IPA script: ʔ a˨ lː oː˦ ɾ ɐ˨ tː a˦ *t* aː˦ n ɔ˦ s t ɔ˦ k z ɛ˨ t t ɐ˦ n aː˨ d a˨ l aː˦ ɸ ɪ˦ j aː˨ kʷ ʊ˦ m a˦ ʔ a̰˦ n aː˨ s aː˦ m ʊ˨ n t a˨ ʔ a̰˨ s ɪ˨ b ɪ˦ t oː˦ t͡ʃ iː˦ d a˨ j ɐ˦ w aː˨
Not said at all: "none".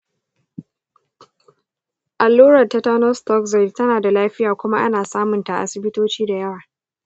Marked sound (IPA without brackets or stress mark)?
t